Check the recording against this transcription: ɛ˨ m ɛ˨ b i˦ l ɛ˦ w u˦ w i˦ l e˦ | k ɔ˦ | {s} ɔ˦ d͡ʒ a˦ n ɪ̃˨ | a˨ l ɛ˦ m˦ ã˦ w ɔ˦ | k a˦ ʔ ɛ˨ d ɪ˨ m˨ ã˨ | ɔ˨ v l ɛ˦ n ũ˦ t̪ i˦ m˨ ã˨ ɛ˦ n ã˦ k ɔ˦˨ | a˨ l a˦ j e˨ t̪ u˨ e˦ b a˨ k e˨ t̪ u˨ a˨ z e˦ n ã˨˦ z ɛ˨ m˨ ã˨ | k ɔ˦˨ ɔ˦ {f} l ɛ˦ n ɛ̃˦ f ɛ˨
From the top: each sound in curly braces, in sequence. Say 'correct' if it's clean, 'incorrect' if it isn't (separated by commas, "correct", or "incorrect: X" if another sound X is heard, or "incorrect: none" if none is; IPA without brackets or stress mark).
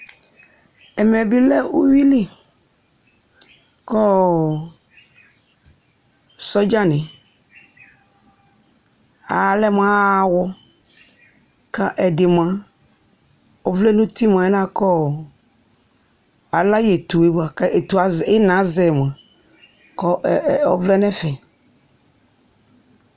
correct, incorrect: v